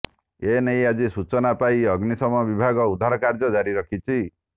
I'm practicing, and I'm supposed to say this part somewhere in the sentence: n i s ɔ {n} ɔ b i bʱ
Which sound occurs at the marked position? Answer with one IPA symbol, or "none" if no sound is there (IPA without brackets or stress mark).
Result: m